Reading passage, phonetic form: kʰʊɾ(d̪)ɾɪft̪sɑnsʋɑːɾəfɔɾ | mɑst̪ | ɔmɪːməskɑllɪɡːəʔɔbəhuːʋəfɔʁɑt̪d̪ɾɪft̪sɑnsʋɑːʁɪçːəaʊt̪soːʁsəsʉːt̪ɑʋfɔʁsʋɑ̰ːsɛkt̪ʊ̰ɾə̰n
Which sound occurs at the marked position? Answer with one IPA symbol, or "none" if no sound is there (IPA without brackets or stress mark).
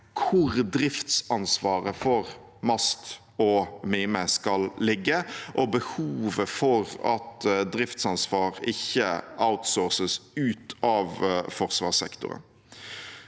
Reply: d̪